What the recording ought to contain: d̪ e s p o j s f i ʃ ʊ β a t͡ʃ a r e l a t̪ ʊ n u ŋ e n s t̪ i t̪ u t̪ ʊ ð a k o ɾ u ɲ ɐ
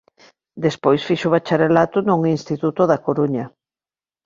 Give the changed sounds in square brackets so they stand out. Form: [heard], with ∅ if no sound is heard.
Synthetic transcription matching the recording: d̪ e s p o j s f i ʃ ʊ β a t͡ʃ a [ɾ] e l a t̪ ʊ n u ŋ [i] n s t̪ i t̪ u t̪ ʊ ð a k o ɾ u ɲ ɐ